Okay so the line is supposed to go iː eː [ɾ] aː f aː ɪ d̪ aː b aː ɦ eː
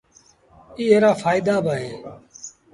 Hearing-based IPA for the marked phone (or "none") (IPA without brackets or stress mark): ɾ